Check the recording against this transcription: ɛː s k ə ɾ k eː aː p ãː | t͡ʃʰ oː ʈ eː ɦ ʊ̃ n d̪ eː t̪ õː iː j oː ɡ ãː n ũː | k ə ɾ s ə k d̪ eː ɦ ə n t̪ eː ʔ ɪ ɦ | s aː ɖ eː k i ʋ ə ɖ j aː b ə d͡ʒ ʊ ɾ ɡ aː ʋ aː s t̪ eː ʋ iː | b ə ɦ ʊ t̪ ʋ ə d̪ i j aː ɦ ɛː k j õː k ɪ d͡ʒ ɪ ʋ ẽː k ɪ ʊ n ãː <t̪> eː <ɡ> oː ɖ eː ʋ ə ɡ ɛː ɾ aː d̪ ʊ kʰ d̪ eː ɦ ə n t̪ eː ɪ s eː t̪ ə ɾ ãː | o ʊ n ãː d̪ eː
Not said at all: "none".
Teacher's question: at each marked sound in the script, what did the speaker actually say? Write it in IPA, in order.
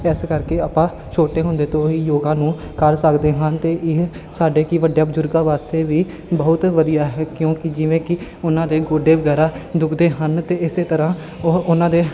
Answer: d̪, ɡ

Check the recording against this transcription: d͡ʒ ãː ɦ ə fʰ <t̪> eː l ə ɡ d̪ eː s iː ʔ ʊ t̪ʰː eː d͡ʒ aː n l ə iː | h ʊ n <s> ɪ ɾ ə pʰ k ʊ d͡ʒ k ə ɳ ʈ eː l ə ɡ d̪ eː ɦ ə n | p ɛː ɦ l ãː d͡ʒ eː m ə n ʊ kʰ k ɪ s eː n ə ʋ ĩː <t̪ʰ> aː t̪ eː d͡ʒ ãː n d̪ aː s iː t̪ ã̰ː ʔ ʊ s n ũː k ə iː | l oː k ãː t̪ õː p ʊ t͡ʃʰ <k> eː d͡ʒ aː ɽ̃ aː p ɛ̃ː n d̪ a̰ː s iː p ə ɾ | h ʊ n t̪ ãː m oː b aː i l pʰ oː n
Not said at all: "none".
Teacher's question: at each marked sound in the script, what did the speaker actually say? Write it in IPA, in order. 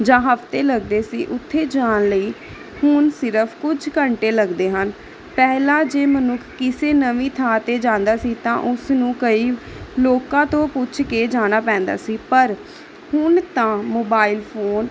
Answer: t̪, s, t̪ʰ, k

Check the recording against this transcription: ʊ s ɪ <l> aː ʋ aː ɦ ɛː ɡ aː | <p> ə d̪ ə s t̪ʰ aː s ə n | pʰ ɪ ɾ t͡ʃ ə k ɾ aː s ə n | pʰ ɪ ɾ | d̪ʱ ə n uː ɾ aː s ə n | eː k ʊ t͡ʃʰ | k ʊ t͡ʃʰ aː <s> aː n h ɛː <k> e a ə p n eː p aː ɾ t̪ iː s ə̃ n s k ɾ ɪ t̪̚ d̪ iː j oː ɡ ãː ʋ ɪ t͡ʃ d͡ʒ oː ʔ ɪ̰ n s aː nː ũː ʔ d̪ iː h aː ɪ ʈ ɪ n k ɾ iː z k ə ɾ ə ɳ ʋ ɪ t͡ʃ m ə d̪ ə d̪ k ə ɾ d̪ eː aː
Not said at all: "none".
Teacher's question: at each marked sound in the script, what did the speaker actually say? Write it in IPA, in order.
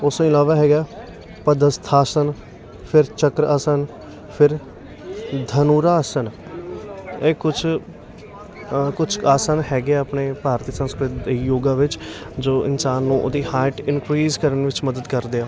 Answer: l, p, s, ɡ

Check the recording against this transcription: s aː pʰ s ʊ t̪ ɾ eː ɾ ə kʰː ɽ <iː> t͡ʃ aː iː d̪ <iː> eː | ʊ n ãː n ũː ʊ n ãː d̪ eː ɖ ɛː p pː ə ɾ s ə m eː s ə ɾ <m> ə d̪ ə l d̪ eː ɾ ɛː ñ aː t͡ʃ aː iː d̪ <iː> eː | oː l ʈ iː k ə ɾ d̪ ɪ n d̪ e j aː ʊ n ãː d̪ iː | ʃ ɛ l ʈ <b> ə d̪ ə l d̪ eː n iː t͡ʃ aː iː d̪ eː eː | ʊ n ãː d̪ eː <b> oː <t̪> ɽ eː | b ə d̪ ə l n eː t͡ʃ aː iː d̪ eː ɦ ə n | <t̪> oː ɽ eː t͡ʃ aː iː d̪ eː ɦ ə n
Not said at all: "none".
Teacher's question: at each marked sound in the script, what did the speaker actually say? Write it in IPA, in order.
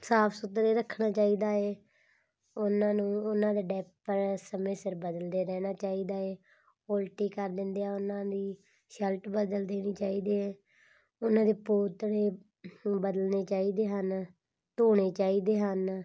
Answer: aː, aː, b, aː, b, p, t̪, t̪

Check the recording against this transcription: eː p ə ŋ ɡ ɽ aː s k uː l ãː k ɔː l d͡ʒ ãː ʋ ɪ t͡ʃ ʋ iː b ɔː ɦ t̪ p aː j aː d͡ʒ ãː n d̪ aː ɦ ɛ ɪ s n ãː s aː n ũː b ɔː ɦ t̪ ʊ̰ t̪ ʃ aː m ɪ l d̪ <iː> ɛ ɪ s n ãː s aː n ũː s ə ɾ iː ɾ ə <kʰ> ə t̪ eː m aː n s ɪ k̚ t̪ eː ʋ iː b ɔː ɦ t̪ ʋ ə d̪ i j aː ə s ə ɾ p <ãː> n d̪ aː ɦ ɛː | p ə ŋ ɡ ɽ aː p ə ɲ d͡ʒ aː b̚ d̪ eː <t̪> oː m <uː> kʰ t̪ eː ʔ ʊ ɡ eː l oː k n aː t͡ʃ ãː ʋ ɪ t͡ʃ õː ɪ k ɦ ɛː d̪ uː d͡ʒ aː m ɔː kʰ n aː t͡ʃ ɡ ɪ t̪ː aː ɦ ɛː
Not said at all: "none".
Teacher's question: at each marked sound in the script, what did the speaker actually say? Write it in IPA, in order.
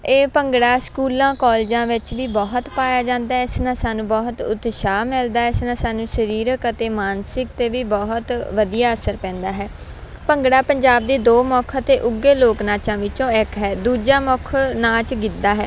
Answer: aː, k, ɛ̃ː, d̪, ɔː

